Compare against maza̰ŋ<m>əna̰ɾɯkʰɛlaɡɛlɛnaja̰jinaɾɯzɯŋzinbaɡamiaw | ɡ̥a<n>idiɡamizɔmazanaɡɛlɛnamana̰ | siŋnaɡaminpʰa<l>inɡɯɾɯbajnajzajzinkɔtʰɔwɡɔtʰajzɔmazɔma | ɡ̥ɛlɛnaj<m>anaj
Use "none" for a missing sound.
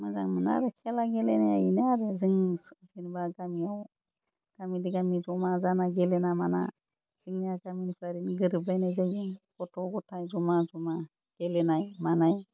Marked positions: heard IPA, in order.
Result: m, m, ɾ, m

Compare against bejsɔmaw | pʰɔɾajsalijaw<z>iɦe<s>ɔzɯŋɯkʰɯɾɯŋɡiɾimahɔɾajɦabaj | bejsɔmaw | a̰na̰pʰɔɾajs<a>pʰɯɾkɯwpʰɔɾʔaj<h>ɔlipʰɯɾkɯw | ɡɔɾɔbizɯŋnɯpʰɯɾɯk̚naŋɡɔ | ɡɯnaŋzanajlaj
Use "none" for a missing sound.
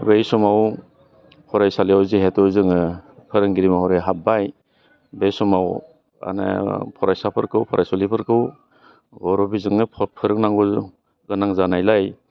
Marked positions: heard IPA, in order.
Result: z, t, a, s

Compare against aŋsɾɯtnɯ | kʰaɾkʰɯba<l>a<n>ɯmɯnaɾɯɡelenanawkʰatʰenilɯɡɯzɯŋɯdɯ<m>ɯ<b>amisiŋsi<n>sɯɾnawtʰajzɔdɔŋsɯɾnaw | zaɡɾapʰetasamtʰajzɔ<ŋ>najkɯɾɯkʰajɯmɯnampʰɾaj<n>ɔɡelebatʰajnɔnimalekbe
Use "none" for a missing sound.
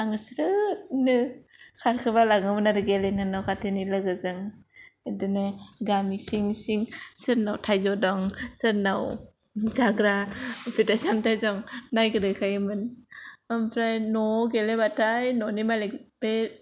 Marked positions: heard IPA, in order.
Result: l, ŋ, n, ɡ, ŋ, ŋ, n

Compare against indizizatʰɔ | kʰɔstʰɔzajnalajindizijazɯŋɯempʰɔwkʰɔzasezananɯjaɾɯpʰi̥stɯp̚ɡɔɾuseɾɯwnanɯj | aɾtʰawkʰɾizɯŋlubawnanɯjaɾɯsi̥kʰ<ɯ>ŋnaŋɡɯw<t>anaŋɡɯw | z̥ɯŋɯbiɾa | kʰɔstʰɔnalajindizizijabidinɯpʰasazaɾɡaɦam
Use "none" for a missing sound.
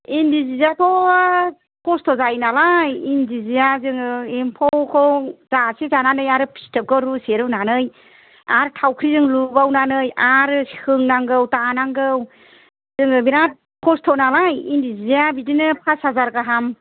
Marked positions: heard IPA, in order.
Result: ɯ, t

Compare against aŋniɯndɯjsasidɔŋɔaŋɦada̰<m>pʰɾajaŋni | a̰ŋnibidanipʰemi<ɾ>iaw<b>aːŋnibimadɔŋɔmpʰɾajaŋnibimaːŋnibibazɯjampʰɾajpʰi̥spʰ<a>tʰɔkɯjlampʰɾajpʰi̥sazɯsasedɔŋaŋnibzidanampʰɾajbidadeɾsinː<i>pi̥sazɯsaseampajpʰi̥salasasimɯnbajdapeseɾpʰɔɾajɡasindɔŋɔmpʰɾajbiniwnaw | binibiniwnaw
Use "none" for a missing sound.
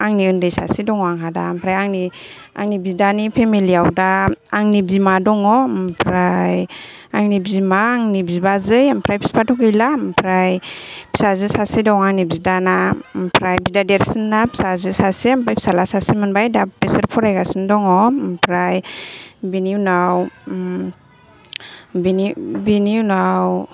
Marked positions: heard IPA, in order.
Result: m, l, d, a, a

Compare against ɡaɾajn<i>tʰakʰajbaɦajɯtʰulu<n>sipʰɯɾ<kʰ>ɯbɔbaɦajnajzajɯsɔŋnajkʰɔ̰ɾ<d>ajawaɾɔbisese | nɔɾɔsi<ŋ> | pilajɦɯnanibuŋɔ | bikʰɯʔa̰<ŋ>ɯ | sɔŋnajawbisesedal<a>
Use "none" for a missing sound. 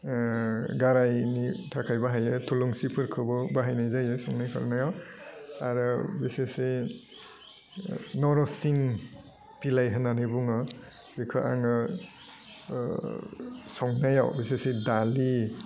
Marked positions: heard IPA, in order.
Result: i, ŋ, kʰ, n, ŋ, ŋ, i

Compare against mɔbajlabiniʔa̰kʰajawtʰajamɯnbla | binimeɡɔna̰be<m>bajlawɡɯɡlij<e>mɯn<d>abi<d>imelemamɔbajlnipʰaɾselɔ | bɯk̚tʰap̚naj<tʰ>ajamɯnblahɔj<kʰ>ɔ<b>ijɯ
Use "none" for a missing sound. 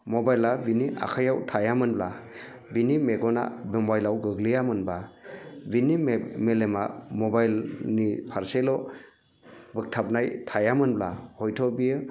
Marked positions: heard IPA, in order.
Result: m, a, b, n, tʰ, tʰ, b

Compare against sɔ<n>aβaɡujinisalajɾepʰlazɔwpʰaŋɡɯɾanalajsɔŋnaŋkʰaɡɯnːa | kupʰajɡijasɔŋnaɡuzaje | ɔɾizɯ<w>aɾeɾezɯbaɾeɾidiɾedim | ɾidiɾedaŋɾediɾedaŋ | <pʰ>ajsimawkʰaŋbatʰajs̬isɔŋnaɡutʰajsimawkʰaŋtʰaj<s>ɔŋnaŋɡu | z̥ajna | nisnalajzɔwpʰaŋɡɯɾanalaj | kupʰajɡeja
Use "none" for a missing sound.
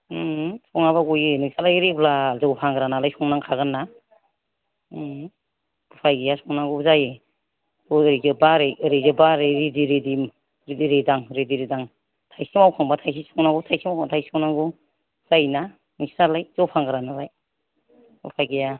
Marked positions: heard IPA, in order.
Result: ŋ, b, tʰ, s

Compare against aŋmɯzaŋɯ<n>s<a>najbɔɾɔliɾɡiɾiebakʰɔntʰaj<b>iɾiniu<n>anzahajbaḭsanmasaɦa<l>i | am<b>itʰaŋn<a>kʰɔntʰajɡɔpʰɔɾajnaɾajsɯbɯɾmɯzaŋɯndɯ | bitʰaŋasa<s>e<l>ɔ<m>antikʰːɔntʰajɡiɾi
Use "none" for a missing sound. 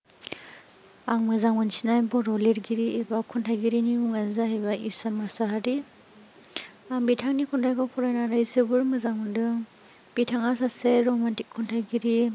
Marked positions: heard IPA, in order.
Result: n, i, ɡ, ŋ, ɾ, b, i, s, ɾ, m

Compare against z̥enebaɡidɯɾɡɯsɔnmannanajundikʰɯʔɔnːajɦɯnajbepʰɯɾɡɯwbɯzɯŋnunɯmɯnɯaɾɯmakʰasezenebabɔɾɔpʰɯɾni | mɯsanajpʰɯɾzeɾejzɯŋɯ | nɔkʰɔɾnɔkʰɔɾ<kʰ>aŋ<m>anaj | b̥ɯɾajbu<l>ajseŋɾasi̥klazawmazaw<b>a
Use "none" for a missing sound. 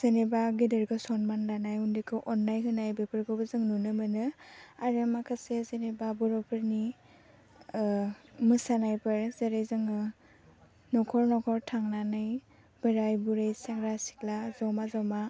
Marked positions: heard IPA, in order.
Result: tʰ, n, ɾ, m

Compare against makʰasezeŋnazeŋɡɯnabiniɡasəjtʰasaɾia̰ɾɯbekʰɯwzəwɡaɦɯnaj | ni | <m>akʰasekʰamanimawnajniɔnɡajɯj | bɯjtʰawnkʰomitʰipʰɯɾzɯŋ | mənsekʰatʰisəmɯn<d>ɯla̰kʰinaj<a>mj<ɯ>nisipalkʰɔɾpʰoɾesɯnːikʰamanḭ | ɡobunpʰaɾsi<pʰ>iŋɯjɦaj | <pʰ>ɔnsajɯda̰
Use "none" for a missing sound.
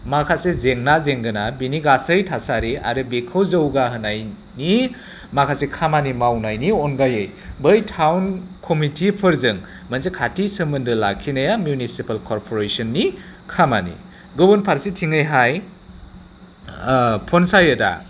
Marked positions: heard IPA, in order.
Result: m, d, a, u, tʰ, pʰ

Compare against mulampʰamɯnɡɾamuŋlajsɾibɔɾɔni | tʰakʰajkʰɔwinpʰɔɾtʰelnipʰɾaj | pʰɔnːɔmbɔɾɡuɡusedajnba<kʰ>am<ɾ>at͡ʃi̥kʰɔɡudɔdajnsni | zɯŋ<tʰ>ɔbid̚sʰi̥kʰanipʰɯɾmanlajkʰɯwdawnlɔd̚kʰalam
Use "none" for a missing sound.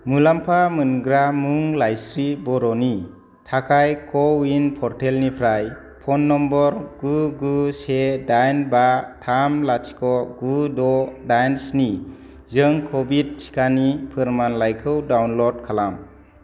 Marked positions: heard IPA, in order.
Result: tʰ, l, kʰ

